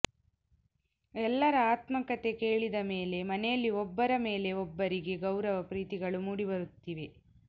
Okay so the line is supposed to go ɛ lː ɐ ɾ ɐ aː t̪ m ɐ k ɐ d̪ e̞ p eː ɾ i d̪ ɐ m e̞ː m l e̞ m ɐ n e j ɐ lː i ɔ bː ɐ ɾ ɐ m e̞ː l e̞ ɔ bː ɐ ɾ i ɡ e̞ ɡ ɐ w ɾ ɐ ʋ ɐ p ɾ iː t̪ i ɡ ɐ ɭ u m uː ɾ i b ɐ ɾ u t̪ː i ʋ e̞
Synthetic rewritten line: ɛ lː ɐ ɾ ɐ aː t̪ m ɐ k ɐ t̪ e̞ k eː ɭ i d̪ ɐ m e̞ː l e̞ m ɐ n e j ɐ lː i ɔ bː ɐ ɾ ɐ m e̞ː l e̞ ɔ bː ɐ ɾ i ɡ e̞ ɡ ɐ w ɾ ɐ ʋ ɐ p ɾ iː t̪ i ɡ ɐ ɭ u m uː ɽ i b ɐ ɾ u t̪ː i ʋ e̞